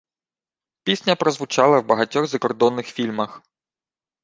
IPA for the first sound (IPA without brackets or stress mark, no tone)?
pʲ